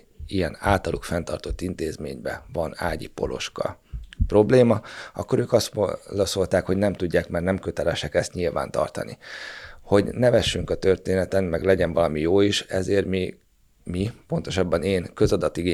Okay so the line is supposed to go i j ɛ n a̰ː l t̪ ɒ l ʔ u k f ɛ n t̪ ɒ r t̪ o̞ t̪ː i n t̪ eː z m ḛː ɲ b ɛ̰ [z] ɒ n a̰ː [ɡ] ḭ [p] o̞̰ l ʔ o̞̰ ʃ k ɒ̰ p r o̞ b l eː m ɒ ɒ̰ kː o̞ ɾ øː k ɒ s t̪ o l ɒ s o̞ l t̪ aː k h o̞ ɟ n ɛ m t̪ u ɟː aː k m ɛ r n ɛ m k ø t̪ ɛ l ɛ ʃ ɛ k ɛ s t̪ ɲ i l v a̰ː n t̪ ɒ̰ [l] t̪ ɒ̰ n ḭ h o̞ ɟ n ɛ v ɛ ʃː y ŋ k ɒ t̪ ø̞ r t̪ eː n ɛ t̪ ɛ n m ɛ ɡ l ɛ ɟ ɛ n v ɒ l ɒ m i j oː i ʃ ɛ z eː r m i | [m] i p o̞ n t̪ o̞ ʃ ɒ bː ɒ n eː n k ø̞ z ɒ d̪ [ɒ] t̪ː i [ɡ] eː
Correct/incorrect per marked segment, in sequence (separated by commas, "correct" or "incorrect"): incorrect, incorrect, correct, incorrect, correct, correct, correct